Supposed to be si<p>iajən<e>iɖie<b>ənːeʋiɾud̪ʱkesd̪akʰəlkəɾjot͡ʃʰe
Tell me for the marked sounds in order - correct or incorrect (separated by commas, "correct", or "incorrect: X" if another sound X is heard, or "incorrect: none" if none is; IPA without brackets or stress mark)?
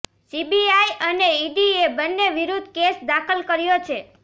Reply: incorrect: b, correct, correct